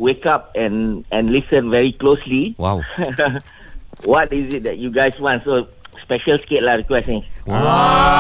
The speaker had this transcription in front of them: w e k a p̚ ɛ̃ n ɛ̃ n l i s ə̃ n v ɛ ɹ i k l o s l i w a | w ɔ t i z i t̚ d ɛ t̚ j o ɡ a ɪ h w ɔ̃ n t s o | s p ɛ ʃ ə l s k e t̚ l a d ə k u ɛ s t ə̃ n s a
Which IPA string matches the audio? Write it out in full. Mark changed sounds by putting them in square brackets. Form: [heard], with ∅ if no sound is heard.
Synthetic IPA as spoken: w e k a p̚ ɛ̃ n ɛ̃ n l i s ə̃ n v ɛ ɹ i k l o s l i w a | w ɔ t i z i t̚ d ɛ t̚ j [u] ɡ a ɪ [s] w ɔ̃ n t s o | s p ɛ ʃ ə l s k e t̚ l a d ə k [w] ɛ s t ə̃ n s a